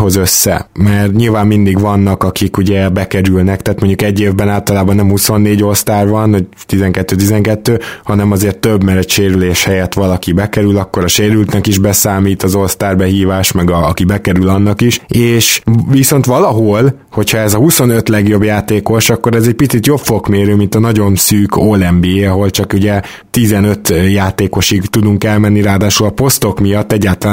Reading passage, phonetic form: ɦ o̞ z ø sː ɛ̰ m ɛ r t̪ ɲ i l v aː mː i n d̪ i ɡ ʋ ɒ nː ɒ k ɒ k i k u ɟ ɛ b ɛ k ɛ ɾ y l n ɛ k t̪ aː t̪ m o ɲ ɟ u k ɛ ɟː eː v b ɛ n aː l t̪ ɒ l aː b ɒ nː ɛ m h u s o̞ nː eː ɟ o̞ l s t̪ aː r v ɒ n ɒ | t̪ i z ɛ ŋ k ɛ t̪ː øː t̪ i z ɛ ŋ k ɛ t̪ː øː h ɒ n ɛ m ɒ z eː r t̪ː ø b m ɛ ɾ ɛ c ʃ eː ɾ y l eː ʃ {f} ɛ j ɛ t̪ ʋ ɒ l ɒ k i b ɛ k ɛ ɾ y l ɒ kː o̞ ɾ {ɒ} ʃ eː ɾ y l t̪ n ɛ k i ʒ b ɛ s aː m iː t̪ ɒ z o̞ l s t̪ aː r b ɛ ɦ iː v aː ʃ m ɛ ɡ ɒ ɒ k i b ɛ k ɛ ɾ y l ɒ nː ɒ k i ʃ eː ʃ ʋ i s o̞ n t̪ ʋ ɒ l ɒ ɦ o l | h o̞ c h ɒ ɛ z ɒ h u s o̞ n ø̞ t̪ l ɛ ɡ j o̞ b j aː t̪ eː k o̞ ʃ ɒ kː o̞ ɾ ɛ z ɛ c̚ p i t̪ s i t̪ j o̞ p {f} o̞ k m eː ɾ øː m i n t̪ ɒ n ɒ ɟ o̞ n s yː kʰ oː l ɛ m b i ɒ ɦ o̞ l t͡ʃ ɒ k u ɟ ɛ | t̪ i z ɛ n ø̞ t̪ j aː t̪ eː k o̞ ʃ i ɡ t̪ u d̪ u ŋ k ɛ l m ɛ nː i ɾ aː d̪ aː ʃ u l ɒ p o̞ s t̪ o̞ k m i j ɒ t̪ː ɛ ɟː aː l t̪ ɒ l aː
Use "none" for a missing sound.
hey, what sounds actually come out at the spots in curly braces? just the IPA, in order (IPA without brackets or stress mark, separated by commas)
h, ɒ, f